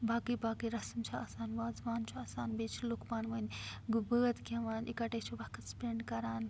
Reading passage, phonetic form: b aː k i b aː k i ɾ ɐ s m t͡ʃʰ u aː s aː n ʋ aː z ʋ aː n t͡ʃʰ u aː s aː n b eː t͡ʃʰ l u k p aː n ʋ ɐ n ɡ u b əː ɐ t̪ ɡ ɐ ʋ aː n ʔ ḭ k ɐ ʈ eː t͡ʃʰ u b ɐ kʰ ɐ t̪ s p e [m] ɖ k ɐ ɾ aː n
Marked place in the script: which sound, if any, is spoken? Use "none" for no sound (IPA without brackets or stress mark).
ɳ